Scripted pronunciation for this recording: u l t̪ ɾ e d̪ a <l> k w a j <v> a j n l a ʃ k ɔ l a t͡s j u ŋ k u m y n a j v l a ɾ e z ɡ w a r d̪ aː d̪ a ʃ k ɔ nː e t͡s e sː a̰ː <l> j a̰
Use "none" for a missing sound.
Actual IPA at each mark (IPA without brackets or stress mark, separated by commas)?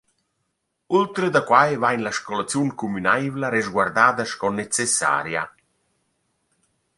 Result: none, v, ɾ